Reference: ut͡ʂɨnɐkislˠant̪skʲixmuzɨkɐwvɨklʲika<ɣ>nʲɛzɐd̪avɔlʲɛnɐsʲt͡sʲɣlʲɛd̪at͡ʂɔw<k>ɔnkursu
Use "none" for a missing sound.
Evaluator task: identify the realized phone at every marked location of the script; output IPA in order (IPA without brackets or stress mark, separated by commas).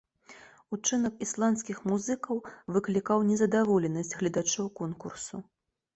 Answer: w, k